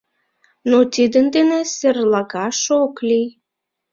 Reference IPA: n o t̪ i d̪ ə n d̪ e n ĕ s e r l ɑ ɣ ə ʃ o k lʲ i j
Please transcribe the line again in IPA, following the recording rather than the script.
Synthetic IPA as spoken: n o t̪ i d̪ ə n d̪ e n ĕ s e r l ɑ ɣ ɑ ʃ o k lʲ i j